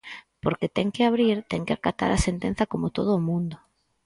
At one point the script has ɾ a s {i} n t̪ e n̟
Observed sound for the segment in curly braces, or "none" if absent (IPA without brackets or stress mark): e